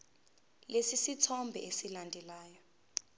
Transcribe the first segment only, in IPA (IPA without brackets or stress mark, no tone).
l